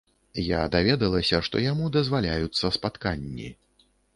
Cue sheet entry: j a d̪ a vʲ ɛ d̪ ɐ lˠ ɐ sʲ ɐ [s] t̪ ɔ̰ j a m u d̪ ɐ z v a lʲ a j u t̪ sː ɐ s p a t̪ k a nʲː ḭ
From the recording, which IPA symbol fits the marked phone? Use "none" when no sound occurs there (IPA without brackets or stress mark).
ʂ